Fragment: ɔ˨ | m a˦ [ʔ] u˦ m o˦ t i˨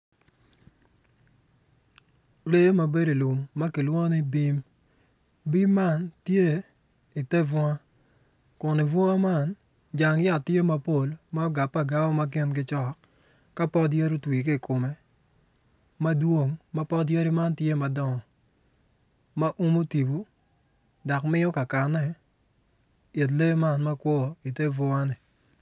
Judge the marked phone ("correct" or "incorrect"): correct